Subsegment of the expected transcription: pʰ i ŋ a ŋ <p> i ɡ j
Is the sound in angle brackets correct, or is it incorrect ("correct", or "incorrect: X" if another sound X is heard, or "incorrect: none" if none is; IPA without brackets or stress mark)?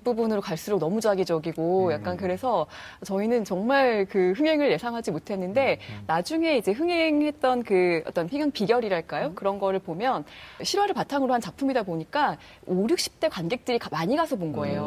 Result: correct